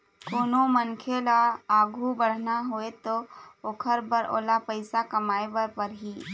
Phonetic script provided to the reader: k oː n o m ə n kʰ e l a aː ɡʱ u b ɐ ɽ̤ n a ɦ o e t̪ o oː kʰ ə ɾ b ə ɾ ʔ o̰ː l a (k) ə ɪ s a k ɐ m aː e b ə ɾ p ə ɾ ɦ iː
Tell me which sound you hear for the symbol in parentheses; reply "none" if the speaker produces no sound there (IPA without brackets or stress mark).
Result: p